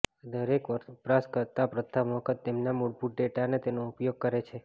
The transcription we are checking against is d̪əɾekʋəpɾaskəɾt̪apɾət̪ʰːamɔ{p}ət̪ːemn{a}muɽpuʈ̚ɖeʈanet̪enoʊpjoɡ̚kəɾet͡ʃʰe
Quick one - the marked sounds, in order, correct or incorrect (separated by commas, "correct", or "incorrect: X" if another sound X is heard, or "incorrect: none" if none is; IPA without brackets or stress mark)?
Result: incorrect: k, correct